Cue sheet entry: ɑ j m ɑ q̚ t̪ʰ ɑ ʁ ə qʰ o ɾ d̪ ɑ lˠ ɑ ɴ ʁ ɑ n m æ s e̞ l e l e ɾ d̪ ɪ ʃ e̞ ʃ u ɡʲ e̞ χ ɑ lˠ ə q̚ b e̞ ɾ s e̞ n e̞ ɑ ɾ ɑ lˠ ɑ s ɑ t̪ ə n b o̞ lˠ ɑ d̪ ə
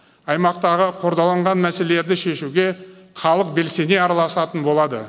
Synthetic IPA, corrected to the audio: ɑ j m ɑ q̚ t̪ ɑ ʁ ə qʰ o ɾ d̪ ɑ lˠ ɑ ɴ ʁ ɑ n m æ s e̞ l e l e ɾ d̪ ɪ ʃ e̞ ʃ u ɡʲ e̞ χ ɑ lˠ ə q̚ b e̞ l s e̞ n e̞ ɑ ɾ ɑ lˠ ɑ s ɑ t̪ ə n b o̞ lˠ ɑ d̪ ə